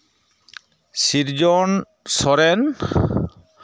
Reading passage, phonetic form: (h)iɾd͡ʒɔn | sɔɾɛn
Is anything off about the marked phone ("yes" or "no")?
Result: yes